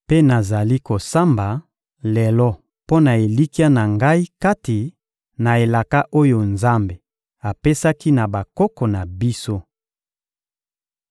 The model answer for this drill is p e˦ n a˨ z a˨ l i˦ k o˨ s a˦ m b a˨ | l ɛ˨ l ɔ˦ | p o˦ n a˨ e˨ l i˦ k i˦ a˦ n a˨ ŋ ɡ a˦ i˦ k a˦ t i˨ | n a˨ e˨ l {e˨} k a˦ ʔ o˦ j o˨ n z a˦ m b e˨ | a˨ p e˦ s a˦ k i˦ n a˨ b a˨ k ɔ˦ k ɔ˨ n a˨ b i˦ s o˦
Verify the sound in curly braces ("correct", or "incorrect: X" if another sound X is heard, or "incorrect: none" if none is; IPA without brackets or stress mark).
incorrect: a˨